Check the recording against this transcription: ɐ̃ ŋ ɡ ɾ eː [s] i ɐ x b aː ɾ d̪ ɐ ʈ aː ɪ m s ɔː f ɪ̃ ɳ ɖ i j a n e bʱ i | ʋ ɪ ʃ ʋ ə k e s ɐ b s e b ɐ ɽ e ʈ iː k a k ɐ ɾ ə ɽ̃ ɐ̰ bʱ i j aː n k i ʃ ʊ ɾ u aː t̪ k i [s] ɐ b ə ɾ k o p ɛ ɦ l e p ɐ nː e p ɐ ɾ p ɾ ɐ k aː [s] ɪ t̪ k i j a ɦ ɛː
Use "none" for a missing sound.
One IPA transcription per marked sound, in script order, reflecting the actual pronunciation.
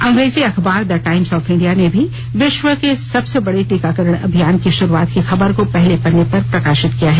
z, x, ʃ

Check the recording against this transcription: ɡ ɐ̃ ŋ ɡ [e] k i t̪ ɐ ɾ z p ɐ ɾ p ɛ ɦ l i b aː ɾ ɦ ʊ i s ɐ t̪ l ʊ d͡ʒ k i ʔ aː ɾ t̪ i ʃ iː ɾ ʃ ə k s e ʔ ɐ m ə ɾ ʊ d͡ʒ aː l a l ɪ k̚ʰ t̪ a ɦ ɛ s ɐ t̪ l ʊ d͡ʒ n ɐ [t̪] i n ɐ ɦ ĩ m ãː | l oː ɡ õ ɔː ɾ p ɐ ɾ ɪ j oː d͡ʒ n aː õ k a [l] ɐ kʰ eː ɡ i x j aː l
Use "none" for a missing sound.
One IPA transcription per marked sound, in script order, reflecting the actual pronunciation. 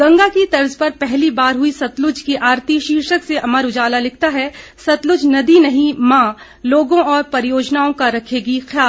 a, d̪, ɾ

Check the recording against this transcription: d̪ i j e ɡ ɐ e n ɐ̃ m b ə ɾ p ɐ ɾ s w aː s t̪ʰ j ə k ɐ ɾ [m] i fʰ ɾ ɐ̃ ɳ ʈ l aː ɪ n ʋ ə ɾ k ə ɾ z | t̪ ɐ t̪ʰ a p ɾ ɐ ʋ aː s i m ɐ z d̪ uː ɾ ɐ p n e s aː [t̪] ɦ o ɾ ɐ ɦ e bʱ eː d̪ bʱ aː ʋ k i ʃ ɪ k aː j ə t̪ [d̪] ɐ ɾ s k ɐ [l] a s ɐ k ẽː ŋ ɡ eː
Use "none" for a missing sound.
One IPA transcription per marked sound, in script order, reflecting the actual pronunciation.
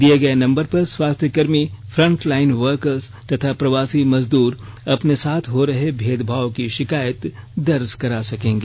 m, t̪ʰ, d̪, ɾ

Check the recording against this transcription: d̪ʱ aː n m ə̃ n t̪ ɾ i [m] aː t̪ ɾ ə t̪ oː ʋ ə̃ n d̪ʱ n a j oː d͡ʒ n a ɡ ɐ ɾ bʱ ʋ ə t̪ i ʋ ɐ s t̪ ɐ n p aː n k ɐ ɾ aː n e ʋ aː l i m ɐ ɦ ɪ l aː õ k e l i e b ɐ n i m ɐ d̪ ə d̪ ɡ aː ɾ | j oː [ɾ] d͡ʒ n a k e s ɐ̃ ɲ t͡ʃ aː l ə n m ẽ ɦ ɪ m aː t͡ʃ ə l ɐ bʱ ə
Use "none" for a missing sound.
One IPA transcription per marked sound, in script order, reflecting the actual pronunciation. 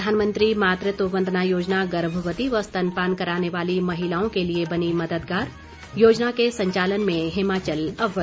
m, none

